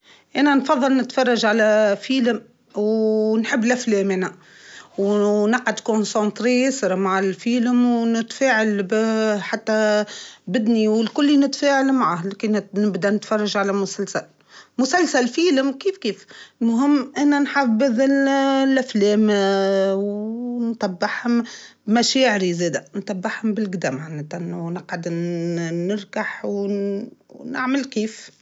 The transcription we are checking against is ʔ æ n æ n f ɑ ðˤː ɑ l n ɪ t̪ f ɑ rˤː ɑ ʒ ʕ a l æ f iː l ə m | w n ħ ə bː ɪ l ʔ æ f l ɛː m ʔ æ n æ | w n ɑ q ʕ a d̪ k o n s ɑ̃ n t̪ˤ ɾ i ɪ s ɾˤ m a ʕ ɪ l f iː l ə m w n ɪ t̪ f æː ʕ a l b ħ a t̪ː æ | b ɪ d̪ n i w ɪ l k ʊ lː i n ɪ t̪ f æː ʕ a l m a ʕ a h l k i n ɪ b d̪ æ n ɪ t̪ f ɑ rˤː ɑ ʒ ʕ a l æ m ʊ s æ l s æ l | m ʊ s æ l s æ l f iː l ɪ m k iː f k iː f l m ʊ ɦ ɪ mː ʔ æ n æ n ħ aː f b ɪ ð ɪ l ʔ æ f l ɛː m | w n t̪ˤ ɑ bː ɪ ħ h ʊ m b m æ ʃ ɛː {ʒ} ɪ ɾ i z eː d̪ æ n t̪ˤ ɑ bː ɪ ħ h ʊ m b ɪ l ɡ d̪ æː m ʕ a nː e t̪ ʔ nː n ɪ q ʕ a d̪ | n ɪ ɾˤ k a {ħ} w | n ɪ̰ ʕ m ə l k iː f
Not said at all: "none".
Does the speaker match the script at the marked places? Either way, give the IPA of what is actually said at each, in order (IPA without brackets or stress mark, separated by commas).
ʕ, ħ